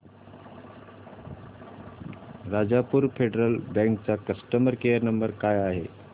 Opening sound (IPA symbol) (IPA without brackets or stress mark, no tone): ɾ